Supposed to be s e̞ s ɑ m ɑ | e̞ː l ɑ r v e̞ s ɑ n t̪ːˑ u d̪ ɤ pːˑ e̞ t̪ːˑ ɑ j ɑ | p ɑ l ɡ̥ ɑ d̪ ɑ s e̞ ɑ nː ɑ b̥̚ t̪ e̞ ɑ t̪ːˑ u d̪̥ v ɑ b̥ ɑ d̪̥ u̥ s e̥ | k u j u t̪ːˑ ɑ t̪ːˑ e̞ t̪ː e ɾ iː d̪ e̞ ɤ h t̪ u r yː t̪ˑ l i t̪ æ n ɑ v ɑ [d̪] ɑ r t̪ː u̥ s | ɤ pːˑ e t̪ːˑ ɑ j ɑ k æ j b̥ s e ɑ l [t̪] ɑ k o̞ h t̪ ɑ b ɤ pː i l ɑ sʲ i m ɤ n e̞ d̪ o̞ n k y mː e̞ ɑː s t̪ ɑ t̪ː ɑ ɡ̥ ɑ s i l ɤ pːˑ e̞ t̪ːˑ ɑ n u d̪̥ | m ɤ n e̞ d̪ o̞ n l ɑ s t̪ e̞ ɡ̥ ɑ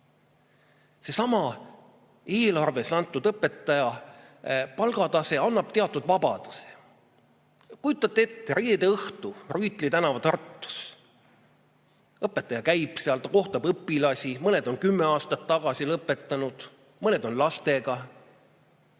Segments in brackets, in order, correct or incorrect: incorrect, correct

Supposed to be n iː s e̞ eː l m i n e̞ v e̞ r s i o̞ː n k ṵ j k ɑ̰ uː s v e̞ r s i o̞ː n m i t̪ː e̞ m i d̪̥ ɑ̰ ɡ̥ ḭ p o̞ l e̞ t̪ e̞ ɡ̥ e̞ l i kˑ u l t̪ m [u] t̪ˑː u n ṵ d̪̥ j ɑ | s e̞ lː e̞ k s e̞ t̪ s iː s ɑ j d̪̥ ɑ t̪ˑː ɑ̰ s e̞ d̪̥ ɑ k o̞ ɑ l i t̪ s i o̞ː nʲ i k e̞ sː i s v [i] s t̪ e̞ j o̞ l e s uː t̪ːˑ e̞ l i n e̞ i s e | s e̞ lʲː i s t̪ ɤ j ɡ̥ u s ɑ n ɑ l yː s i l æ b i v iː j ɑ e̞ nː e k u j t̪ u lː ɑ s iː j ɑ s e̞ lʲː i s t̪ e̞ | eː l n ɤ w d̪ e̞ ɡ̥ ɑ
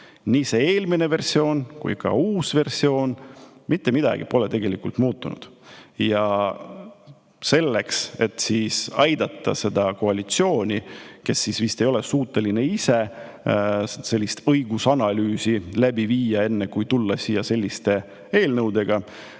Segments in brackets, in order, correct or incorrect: incorrect, correct

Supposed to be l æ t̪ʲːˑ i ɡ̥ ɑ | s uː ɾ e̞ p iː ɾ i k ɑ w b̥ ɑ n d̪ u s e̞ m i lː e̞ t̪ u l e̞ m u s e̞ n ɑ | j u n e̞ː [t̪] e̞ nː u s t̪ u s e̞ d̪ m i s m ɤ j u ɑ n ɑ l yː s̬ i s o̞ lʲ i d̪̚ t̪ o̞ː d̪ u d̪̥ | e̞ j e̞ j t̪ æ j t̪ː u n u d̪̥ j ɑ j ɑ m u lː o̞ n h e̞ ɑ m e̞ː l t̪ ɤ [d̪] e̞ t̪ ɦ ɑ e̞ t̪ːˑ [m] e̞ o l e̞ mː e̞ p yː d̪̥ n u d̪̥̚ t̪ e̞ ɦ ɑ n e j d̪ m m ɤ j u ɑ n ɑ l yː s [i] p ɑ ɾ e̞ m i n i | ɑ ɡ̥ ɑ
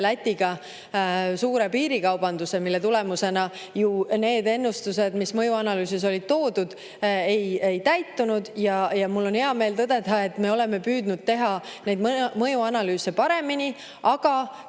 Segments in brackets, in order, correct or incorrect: incorrect, correct, correct, incorrect

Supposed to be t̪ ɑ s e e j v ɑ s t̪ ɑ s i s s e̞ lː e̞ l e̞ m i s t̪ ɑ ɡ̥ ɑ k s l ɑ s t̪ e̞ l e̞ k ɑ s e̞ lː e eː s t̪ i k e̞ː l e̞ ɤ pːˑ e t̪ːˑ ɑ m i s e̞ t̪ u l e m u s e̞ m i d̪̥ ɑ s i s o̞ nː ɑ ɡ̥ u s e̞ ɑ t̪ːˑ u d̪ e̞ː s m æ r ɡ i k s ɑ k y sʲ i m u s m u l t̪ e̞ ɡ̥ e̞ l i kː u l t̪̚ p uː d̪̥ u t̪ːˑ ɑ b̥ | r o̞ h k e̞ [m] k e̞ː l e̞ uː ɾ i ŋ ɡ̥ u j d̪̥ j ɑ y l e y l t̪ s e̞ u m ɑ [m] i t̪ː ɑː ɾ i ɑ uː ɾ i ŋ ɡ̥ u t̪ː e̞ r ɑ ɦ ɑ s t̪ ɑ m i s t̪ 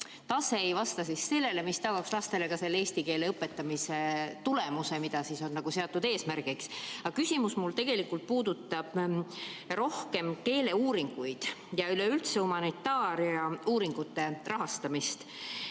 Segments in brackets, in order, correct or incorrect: correct, incorrect

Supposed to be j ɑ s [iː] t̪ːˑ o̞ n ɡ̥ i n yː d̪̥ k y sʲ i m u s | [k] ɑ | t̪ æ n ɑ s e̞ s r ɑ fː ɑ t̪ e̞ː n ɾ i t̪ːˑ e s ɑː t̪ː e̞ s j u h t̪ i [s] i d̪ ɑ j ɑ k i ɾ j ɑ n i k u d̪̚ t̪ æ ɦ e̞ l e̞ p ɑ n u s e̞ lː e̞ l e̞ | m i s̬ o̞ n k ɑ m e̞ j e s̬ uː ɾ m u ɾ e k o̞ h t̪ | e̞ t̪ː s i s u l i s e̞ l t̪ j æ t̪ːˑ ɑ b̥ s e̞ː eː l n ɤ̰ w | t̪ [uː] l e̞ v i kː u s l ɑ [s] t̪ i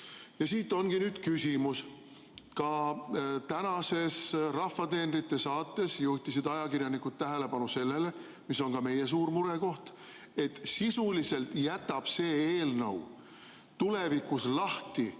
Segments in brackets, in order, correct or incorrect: correct, correct, correct, incorrect, incorrect

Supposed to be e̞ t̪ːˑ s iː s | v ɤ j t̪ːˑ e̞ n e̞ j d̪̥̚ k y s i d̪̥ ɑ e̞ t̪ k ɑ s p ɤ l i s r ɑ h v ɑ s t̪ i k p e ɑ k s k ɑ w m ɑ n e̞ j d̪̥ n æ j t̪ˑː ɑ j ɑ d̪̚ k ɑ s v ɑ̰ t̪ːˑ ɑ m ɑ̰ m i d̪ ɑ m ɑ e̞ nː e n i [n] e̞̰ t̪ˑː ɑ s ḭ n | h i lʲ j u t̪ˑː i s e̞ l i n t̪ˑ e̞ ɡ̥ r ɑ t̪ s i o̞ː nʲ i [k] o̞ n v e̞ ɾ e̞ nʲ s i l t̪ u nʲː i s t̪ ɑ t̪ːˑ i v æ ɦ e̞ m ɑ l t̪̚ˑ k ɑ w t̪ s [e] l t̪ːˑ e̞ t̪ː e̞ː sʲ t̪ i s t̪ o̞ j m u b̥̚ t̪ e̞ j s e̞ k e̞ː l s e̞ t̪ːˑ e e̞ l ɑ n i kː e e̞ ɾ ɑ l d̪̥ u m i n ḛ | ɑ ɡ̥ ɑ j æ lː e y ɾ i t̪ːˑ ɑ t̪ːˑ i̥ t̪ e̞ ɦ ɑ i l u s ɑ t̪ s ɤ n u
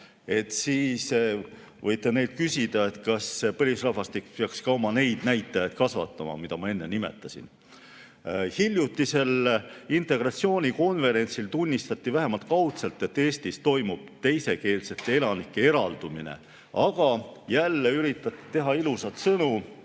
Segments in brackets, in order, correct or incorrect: incorrect, correct, correct

